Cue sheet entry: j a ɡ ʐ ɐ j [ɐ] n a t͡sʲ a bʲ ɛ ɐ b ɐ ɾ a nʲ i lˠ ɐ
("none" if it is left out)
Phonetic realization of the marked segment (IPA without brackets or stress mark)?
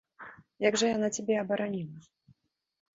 a